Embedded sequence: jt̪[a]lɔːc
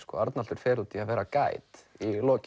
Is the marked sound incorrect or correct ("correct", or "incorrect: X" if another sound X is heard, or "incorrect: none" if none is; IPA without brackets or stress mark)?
incorrect: i